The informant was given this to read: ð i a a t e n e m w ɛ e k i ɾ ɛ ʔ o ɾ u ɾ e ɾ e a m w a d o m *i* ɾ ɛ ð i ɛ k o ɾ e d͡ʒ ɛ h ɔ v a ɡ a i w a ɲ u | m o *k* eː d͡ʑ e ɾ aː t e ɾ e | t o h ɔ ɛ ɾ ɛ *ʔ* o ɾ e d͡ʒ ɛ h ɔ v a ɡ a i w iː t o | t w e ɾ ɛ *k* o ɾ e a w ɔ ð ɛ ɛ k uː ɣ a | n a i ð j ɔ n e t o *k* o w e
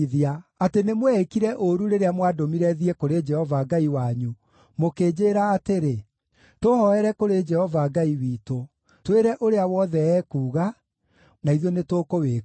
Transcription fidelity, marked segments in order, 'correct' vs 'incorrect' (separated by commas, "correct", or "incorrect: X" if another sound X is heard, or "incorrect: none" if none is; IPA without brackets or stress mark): correct, correct, incorrect: k, incorrect: ʔ, correct